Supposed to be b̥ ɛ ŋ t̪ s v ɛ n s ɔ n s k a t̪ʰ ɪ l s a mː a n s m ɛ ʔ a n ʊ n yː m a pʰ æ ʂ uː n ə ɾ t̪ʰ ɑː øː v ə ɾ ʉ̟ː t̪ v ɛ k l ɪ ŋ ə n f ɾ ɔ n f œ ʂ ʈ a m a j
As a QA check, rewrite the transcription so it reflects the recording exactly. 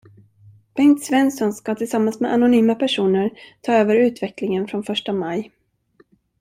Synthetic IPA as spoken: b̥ ɛ ŋ t̪ s v ɛ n s ɔ n s k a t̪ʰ ɪ l s a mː a n s m ɛ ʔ a n ʊ n yː m a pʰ æ ʂ uː n ə ɾ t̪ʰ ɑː øː v ə ɾ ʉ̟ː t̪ v ɛ k l ɪ ŋ ə n f ɾ ɔ n f œ ʂ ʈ a m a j